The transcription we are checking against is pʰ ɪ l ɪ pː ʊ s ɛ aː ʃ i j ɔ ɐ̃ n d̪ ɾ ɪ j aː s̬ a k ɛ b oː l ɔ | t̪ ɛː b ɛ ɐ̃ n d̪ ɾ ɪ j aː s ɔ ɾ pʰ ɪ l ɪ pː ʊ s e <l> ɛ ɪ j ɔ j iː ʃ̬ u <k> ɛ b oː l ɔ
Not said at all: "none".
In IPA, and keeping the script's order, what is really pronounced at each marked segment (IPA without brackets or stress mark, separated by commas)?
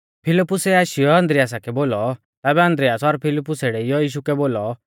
ɽ, k